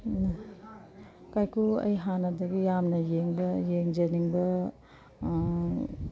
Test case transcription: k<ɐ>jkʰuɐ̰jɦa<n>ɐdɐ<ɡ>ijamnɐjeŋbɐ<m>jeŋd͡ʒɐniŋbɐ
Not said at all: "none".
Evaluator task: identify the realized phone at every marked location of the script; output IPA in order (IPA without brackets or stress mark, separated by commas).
a, n, ɡ, none